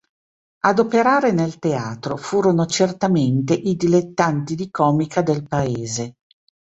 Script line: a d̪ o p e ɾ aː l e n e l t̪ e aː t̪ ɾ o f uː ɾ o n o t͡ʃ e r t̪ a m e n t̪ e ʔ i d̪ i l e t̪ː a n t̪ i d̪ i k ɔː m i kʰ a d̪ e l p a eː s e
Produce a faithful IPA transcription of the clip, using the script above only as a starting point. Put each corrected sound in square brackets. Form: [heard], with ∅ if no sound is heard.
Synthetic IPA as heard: a d̪ o p e ɾ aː [ɾ] e n e l t̪ e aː t̪ ɾ o f uː ɾ o n o t͡ʃ e r t̪ a m e n t̪ e ʔ i d̪ i l e t̪ː a n t̪ i d̪ i k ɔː m i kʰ a d̪ e l p a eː [z] e